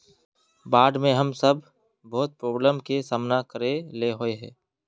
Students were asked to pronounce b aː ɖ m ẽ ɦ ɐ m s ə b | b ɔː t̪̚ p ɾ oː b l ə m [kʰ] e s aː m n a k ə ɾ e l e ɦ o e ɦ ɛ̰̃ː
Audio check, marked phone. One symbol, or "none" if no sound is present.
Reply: k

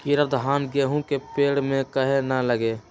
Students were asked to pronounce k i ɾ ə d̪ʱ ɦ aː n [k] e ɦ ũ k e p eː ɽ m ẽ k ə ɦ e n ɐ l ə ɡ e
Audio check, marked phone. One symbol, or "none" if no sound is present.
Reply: ɡ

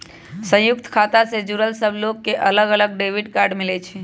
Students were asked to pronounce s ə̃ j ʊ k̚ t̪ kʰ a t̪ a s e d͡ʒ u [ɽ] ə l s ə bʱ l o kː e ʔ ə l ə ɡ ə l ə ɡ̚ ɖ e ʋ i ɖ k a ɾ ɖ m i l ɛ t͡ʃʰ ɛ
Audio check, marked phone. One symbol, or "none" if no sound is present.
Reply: ɾ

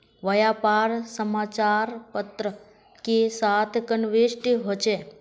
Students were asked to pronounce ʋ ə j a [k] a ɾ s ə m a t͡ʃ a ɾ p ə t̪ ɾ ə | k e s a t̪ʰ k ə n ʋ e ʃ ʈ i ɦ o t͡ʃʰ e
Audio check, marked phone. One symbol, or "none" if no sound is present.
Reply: p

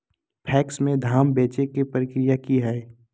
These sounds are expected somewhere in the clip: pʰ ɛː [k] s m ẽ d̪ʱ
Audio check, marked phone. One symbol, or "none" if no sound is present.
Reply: k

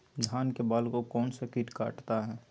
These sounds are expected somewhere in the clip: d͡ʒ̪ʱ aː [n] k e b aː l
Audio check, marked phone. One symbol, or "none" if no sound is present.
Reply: n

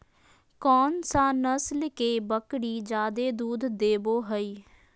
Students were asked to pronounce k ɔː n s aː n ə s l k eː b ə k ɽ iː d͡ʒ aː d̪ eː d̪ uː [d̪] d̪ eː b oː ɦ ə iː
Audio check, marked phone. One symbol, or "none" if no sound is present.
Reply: d̪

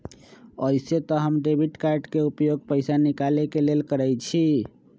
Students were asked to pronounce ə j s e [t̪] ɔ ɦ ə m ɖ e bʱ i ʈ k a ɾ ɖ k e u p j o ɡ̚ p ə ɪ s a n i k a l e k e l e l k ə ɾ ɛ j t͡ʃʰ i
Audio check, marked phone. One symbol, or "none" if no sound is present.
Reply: t̪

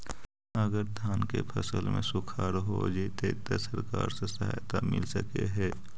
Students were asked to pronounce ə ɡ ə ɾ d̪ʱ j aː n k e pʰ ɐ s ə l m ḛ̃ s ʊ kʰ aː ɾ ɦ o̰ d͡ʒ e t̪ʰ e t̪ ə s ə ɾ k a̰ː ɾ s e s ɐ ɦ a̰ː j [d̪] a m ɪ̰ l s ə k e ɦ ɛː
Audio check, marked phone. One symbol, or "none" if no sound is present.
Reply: t̪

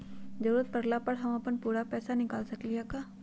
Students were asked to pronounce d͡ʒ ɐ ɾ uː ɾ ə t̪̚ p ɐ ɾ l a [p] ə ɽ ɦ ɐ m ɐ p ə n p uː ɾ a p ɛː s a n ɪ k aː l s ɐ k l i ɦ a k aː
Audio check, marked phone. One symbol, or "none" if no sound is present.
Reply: p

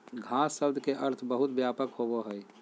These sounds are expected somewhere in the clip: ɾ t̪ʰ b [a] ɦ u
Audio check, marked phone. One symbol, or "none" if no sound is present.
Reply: ə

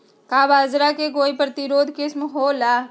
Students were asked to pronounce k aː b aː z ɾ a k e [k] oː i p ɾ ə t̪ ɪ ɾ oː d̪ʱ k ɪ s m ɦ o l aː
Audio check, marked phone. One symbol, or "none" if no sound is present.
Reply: ɡ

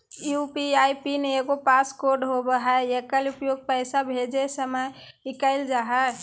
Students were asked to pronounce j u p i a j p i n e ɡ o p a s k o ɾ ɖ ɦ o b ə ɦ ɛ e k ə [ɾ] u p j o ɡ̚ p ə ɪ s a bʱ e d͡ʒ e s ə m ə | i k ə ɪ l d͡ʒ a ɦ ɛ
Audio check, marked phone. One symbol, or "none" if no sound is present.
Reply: l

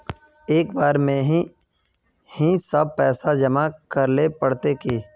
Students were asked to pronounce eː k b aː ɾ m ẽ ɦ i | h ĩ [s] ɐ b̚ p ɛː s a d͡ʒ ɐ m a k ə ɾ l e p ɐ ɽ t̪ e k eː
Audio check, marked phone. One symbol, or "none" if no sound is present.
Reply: s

